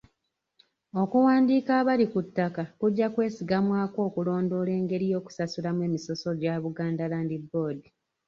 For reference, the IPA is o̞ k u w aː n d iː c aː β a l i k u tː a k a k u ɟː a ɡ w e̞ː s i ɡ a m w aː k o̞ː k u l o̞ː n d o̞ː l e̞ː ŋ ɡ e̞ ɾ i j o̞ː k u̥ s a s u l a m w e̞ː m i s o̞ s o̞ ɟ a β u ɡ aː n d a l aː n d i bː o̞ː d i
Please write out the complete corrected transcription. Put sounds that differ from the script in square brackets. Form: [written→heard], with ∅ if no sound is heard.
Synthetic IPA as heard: o̞ k u w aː n d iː [c→k] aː β a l i k u tː a k a k u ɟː a [ɡ→k] w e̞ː s i ɡ a m w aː k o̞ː k u l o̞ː n d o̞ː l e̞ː ŋ ɡ e̞ ɾ i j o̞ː k u̥ s a s u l a m w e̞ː m i s o̞ s o̞ ɟ a β u ɡ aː n d a l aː n d i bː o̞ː d i